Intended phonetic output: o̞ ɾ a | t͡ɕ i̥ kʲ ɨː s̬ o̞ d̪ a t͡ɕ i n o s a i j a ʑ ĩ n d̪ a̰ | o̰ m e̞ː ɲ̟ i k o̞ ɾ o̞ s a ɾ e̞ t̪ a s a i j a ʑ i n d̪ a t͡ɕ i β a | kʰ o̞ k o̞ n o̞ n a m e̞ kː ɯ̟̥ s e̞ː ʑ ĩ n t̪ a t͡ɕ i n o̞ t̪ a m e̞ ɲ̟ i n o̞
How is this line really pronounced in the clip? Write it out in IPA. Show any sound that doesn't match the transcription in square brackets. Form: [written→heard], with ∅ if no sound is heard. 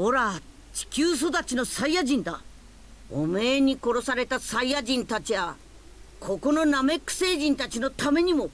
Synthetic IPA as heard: o̞ ɾ a | t͡ɕ i̥ kʲ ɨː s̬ o̞ d̪ a t͡ɕ i n o s a i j a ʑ ĩ n d̪ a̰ | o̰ m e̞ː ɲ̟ i k o̞ ɾ o̞ s a ɾ e̞ t̪ a s a i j a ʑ [i→ĩ] n [d̪→t̪] a t͡ɕ i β a | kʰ o̞ k o̞ n o̞ n a m e̞ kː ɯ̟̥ s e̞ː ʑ ĩ n t̪ a t͡ɕ i n o̞ t̪ a m e̞ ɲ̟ i [n→m] o̞